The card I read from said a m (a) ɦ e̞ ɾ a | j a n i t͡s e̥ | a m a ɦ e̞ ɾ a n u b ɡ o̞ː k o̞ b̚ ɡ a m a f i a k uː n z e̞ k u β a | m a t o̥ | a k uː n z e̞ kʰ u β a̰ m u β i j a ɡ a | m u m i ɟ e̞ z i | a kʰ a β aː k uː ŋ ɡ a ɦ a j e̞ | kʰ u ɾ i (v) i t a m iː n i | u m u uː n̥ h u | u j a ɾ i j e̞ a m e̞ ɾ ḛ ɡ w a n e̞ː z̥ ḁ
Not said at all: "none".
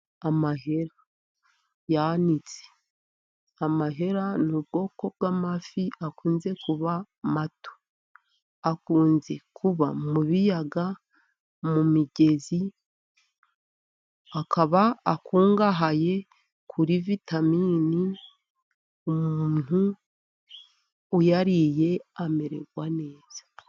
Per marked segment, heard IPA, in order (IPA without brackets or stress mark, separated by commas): a, v